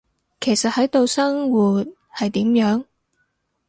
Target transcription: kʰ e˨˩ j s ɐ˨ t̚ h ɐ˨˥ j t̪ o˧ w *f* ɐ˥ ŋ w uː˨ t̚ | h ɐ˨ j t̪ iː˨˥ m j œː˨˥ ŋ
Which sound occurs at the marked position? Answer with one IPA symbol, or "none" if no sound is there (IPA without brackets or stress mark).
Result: s